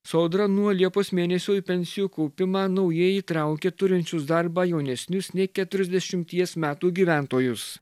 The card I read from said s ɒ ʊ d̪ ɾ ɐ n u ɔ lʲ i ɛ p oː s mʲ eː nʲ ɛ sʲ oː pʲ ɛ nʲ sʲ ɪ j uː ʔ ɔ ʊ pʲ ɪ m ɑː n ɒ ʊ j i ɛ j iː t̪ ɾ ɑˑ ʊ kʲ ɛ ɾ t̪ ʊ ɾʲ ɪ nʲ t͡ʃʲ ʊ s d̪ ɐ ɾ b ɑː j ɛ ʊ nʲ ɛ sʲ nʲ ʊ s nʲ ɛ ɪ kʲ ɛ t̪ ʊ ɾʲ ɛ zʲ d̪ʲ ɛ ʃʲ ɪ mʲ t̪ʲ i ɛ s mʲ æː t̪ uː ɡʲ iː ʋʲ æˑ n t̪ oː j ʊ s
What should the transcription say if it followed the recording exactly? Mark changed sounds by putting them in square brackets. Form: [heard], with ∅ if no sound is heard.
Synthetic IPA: s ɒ ʊ d̪ ɾ ɐ n u ɔ lʲ i ɛ p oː s mʲ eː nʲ ɛ sʲ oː pʲ ɛ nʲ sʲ ɪ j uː [k] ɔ ʊ pʲ ɪ m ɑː n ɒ ʊ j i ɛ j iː t̪ ɾ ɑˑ ʊ kʲ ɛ [∅] t̪ ʊ ɾʲ ɪ nʲ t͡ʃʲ ʊ s d̪ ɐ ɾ b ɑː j ɛ ʊ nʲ ɛ sʲ nʲ ʊ s nʲ ɛ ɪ kʲ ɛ t̪ ʊ ɾʲ ɛ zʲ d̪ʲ ɛ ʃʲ ɪ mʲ t̪ʲ i ɛ s mʲ æː t̪ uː ɡʲ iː ʋʲ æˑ n t̪ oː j ʊ s